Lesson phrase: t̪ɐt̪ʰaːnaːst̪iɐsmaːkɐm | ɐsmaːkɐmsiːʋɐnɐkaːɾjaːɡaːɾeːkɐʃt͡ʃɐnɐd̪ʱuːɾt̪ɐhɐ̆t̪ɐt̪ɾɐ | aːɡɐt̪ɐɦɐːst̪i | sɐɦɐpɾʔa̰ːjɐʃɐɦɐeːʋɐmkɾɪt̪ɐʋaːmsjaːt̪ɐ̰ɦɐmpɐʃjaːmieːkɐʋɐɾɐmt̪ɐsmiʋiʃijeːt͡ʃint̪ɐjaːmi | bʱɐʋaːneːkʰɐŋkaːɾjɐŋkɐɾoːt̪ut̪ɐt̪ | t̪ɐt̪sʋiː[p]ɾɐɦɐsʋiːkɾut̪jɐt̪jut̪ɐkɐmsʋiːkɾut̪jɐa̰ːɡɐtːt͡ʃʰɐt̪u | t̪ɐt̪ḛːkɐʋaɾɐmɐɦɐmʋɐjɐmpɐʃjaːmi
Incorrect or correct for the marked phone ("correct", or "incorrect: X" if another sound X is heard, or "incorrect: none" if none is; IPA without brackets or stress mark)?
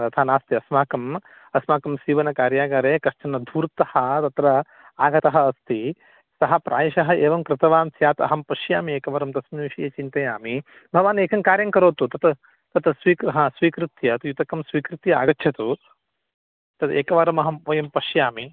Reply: incorrect: k